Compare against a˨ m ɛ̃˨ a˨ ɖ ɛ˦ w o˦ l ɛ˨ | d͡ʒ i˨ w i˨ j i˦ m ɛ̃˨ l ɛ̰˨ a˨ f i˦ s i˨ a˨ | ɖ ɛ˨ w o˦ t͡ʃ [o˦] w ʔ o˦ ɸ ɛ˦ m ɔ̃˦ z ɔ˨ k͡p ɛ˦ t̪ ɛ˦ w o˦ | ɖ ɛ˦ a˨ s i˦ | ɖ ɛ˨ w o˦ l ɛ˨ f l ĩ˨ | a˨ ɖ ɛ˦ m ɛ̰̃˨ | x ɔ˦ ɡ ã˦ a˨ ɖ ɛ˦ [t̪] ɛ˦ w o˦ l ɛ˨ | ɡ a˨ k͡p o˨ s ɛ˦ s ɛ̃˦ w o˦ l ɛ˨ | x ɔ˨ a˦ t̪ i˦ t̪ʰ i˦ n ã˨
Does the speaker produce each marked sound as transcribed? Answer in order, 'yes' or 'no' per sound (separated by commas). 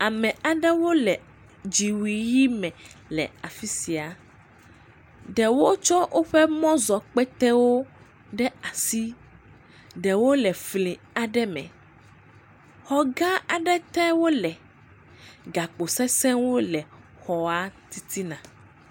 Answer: no, yes